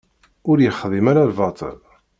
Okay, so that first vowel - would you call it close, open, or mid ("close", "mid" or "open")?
close